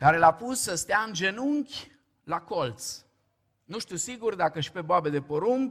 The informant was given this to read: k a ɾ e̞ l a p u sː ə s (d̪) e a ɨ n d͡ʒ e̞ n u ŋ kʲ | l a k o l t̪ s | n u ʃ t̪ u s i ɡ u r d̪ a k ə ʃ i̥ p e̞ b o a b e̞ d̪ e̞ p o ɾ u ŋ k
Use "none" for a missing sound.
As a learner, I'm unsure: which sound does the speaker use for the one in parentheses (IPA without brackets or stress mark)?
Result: t̪